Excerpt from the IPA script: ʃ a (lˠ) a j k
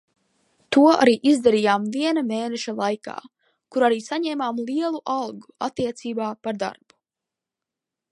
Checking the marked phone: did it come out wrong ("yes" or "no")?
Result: no